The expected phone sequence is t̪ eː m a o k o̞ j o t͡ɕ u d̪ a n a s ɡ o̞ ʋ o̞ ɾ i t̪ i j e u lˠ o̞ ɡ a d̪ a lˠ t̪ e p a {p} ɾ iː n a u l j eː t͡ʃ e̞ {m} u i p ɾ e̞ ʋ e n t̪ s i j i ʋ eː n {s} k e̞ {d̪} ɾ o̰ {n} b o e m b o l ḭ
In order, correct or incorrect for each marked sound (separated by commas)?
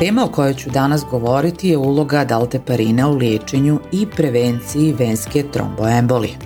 incorrect, incorrect, correct, incorrect, incorrect